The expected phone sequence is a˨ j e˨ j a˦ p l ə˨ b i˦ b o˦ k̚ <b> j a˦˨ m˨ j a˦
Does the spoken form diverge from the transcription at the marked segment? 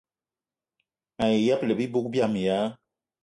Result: no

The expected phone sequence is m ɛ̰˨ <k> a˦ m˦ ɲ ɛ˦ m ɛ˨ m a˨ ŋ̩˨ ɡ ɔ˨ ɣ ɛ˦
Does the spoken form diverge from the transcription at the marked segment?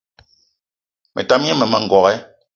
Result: yes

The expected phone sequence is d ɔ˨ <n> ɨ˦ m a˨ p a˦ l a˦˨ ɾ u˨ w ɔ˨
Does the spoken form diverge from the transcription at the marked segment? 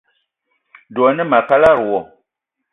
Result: no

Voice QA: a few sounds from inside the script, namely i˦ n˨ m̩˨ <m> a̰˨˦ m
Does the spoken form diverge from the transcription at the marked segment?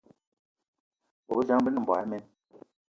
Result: yes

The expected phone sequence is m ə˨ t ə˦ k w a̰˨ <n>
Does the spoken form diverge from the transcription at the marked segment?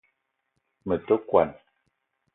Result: no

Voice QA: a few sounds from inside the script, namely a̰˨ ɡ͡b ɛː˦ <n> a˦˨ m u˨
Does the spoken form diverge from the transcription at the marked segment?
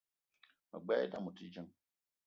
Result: yes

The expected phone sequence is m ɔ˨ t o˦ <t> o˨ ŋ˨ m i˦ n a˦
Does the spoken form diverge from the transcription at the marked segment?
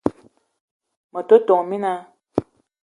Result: no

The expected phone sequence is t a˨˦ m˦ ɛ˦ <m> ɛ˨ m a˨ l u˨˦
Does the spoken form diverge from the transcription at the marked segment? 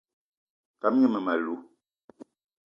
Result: no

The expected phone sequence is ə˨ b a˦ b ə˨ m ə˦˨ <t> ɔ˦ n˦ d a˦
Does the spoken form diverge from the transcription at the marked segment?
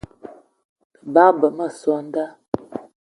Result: yes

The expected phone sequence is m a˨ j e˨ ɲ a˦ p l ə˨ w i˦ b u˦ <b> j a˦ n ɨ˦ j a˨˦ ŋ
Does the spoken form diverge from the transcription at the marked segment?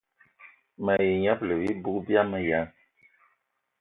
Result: no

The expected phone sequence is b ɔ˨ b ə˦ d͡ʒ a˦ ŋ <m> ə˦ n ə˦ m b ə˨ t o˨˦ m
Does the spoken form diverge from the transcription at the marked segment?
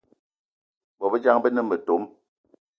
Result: yes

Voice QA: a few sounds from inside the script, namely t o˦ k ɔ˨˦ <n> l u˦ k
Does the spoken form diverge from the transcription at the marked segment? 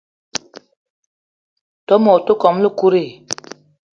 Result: yes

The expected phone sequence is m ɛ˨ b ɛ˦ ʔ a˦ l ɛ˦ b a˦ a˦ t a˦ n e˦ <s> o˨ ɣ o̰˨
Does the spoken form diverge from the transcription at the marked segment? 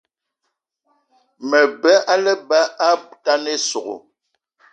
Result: no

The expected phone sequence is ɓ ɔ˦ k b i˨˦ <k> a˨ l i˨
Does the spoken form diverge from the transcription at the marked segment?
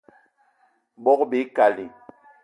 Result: no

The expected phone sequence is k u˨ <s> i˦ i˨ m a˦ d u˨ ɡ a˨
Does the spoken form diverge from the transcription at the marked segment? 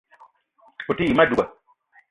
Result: yes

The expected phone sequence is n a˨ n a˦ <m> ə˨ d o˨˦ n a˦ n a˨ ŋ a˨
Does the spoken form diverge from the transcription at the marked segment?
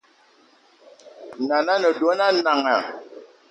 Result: yes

